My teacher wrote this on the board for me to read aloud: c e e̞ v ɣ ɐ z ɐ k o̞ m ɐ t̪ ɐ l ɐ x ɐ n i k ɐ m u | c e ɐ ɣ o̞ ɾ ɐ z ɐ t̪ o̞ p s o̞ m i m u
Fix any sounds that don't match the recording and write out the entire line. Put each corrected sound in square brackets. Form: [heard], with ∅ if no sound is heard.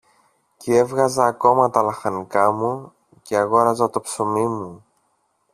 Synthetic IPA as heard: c e e̞ v ɣ ɐ z [ɐː] k o̞ m ɐ t̪ ɐ l ɐ x ɐ n i k ɐ m u | c e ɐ ɣ o̞ ɾ ɐ z ɐ t̪ o̞ p s o̞ m i m u